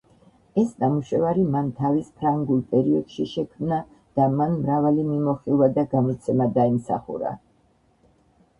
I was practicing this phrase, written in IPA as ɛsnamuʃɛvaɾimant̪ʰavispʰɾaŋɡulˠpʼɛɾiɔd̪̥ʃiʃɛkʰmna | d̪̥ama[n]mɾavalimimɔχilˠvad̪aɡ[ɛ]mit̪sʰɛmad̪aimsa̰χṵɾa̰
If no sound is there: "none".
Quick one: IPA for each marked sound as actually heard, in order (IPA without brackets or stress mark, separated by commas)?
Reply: n, a